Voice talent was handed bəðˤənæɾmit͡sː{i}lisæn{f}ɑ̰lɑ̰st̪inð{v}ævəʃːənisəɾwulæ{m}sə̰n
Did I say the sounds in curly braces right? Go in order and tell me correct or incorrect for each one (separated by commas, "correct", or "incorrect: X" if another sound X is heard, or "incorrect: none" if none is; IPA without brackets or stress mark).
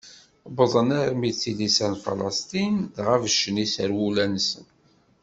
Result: correct, correct, incorrect: ʁ, incorrect: n